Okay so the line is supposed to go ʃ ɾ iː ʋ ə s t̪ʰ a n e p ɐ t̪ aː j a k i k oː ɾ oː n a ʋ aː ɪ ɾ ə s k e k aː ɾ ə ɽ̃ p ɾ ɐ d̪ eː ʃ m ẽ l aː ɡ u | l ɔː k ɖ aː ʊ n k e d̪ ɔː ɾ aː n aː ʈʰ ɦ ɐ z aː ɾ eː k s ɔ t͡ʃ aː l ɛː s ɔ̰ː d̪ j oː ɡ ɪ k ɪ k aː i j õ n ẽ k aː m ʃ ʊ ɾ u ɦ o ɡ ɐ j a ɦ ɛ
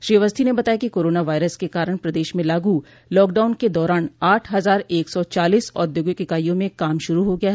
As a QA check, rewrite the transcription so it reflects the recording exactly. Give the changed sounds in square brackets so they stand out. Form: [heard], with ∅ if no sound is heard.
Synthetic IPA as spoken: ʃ ɾ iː ʋ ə s t̪ʰ [i] n e [b] ɐ t̪ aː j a k i k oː ɾ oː n a ʋ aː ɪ ɾ ə s k e k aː ɾ ə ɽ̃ p ɾ ɐ d̪ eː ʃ m ẽ l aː ɡ u | l ɔː k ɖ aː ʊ n k e d̪ ɔː ɾ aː n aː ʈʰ ɦ ɐ z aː ɾ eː k s ɔ t͡ʃ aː l [iː] s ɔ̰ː d̪ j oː ɡ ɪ k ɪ k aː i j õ [m] ẽ k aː m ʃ ʊ ɾ u ɦ o ɡ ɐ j a ɦ ɛ